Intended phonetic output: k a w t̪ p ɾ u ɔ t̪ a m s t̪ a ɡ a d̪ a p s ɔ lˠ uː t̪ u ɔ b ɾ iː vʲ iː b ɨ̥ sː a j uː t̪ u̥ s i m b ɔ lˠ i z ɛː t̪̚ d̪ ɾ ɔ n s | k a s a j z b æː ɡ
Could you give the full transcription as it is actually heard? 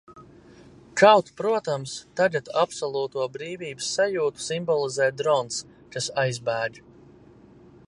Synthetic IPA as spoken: k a w t̪ p ɾ u ɔ t̪ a m s t̪ a ɡ a t̪ a p s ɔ lˠ uː t̪ u ɔ b ɾ iː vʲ iː b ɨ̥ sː a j uː t̪ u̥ s i m b ɔ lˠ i z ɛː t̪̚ d̪ ɾ ɔ n s | k a s a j z b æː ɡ